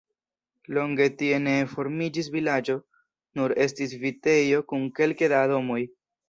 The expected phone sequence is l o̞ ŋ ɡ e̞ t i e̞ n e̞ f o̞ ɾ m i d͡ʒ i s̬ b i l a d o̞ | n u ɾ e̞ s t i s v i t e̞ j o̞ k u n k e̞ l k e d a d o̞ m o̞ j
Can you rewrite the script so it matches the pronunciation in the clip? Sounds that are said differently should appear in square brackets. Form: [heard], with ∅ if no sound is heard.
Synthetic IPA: l o̞ ŋ ɡ e̞ t i e̞ n e̞ f o̞ ɾ m i d͡ʒ i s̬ [v] i l a [d͡ʒ] o̞ | n u ɾ e̞ s t i s v i t e̞ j o̞ k u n k e̞ l k e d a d o̞ m o̞ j